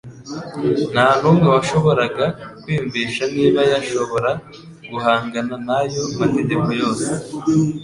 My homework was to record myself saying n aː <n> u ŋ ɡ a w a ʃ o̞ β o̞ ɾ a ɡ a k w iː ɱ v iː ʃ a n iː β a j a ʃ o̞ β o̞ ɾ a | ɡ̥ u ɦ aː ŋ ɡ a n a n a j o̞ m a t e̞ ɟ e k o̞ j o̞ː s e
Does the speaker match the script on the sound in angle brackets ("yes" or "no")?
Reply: yes